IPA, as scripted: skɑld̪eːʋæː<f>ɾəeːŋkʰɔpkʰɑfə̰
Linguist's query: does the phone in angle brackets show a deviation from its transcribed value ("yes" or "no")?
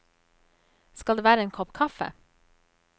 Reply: yes